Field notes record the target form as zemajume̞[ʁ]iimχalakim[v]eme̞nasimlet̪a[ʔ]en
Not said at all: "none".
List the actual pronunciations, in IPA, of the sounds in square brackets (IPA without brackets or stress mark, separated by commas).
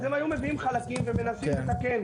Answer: v, v, k